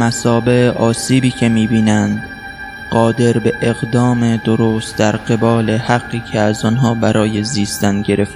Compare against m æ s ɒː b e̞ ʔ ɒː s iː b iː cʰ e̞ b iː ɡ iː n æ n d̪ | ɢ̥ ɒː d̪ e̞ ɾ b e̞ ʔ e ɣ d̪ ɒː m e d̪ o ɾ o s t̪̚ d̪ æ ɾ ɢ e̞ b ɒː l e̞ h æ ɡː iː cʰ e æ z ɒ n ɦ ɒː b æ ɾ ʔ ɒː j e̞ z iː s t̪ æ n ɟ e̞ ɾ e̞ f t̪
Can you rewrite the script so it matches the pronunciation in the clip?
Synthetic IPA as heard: m æ s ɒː b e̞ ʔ ɒː s iː b iː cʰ e̞ m iː b iː n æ n d̪ | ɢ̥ ɒː d̪ e̞ ɾ b e̞ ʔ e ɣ d̪ ɒː m e d̪ o ɾ o s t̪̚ d̪ æ ɾ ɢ e̞ b ɒː l e̞ h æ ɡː iː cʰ e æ z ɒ n ɦ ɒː b æ ɾ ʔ ɒː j e̞ z iː s t̪ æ n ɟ e̞ ɾ e̞ f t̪